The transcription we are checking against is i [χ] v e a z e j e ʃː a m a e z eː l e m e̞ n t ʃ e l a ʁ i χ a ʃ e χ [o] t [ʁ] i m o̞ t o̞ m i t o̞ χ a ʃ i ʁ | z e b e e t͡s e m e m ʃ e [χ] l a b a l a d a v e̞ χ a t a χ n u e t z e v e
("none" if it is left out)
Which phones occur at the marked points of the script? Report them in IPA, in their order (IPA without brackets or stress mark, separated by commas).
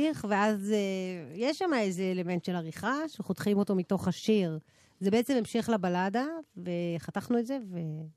χ, o, χ, χ